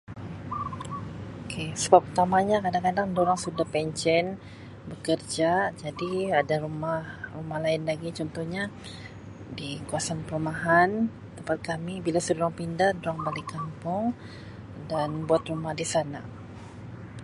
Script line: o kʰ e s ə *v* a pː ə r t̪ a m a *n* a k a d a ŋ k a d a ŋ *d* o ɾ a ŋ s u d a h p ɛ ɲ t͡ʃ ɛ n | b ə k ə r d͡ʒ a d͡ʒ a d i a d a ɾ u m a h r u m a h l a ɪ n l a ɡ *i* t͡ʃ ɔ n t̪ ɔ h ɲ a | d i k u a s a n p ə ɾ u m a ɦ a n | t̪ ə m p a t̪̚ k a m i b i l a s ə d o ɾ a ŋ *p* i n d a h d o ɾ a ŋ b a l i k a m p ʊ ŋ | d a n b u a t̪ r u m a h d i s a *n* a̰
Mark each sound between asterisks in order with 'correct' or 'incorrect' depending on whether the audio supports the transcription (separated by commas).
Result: incorrect, incorrect, correct, correct, correct, correct